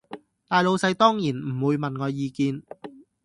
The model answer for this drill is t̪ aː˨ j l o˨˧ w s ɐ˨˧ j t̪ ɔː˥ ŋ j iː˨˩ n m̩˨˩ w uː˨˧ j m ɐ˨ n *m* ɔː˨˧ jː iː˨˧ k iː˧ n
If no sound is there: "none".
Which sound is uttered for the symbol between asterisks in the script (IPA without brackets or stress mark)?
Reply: ŋ